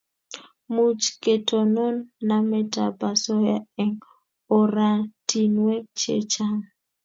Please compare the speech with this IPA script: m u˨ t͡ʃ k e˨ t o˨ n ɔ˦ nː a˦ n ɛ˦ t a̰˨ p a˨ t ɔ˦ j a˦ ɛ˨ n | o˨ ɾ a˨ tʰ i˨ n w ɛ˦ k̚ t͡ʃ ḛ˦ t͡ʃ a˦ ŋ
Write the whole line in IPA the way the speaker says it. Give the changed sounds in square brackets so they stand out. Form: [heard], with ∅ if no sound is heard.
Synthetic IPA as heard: m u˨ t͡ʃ k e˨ t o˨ n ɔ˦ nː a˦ [m] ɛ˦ t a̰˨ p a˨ [s] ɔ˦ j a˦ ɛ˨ [ŋ] | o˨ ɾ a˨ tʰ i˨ n w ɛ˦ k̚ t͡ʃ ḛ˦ t͡ʃ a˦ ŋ

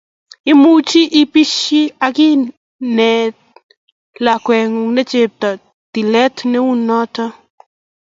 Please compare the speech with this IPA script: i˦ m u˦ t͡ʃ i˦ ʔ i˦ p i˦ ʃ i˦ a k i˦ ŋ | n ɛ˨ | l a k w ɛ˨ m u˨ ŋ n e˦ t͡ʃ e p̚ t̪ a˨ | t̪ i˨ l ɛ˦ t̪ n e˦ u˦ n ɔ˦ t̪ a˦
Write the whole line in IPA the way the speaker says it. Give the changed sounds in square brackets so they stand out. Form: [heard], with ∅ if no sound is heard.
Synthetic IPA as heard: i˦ m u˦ t͡ʃ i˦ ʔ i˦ p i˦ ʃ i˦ a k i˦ [∅] | n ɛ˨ | l a k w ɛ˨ [ŋ] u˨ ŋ n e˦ t͡ʃ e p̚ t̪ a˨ | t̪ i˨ l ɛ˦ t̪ n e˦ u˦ n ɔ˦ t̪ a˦

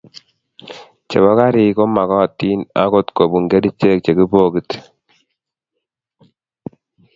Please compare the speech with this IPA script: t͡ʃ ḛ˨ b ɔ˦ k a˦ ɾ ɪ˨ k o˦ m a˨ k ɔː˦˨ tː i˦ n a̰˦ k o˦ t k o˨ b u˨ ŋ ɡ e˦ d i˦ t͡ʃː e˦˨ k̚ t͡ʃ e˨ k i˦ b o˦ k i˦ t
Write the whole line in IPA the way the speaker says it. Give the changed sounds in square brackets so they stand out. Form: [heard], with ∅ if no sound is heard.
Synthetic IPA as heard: t͡ʃ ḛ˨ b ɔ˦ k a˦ ɾ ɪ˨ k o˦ m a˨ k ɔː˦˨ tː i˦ n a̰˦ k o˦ t k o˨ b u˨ ŋ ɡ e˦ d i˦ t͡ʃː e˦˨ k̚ t͡ʃ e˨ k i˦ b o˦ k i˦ t

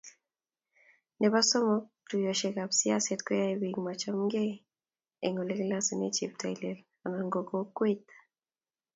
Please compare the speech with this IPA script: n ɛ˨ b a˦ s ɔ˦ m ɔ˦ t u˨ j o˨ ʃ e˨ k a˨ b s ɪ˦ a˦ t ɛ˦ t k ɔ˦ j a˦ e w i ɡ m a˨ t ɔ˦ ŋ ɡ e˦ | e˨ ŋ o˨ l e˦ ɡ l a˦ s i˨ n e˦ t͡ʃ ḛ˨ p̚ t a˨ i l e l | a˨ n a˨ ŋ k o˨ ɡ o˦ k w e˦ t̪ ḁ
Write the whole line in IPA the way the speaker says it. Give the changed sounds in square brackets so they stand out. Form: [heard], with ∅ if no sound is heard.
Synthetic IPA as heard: n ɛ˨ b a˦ s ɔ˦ m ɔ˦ t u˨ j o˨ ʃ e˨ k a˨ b s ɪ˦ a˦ [s] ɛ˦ t k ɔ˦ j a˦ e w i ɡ m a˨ [t͡ʃ] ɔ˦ [m] ɡ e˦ | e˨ ŋ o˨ l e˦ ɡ l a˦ s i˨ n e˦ t͡ʃ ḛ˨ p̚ t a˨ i l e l | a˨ n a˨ ŋ [ɡ] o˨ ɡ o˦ k w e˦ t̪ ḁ

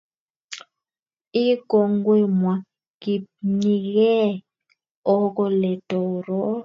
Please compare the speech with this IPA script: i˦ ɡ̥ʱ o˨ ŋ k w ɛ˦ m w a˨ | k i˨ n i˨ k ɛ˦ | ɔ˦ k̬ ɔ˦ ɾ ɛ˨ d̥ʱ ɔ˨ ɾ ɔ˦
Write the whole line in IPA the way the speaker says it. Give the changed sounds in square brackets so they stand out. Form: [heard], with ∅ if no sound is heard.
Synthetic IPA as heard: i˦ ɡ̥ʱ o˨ ŋ [ɡ] w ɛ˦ m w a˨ | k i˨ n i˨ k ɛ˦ | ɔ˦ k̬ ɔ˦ [l] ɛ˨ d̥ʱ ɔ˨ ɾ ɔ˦

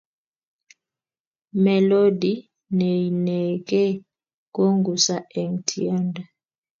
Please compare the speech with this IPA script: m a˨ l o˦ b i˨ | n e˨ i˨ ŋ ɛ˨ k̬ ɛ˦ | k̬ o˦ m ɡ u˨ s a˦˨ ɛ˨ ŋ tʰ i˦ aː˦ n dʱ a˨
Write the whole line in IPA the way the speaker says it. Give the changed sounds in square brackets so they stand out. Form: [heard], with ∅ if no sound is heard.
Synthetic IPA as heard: m [ɛ˨] l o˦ [d] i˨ | n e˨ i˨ [n] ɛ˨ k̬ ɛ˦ | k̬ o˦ [ŋ] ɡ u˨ s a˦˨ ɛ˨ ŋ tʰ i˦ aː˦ n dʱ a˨

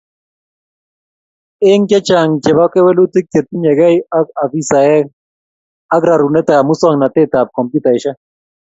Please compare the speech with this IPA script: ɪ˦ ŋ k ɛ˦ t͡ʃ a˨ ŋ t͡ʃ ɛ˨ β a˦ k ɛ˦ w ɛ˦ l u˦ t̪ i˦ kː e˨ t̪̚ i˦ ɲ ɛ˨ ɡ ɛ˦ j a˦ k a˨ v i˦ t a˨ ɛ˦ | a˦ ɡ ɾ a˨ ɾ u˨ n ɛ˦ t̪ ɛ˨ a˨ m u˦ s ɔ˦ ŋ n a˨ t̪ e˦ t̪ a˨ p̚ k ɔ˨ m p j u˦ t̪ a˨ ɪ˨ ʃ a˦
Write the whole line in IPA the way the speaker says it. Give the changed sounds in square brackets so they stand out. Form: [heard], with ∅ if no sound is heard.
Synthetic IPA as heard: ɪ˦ ŋ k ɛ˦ t͡ʃ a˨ ŋ t͡ʃ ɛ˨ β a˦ k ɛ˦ w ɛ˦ l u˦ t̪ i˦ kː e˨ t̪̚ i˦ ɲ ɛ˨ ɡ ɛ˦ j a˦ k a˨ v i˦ [s] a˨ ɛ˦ | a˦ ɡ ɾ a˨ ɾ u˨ n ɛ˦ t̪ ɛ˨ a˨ m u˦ s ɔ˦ ŋ n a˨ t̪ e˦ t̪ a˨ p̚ k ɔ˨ m p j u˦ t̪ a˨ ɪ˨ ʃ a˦

